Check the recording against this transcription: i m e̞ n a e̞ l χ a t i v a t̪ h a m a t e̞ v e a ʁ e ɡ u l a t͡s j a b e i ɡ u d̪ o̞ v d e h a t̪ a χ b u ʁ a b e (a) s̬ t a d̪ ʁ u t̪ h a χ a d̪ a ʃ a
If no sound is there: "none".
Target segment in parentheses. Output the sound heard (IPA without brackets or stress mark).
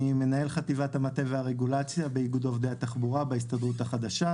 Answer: i